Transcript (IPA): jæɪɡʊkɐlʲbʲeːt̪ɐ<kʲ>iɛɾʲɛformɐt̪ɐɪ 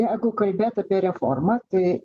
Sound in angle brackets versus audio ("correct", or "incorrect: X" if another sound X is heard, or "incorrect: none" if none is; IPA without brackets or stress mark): incorrect: pʲ